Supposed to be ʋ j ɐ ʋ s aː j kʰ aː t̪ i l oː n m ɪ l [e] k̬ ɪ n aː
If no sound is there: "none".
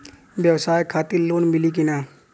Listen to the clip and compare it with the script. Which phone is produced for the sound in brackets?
i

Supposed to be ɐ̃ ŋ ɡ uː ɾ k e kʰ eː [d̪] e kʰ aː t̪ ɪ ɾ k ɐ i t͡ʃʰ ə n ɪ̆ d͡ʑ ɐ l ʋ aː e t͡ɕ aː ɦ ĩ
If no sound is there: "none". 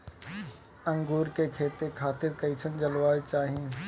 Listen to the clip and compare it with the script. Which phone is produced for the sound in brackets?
t̪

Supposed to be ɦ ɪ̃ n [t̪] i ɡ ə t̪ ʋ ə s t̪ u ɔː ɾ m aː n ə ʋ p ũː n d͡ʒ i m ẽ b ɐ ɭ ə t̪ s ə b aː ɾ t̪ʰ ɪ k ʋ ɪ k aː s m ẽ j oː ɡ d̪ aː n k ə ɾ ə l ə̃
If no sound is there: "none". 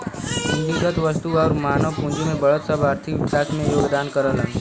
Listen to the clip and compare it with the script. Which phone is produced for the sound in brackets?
d̪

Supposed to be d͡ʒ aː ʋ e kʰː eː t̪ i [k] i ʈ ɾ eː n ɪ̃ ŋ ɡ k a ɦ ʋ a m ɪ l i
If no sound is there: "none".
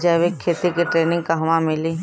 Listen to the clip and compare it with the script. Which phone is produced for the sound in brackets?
k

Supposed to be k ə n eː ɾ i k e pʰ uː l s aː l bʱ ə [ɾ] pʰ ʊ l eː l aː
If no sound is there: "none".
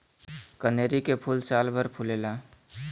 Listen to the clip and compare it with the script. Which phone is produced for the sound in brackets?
ɾ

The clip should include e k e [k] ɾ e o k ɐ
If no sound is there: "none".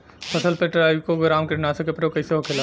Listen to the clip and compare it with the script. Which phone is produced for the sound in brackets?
p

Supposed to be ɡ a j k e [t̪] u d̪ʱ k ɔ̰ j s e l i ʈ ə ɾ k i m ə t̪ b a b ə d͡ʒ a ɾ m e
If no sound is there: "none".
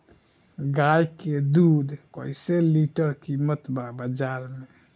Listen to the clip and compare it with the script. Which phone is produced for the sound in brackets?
d̪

